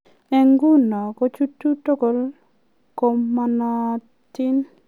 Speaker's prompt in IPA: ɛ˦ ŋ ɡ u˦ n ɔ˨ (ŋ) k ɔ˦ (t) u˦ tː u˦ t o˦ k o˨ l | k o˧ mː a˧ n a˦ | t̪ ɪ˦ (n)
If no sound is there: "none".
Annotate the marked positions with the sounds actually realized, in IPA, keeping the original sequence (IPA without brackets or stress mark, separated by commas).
none, t͡ʃ, n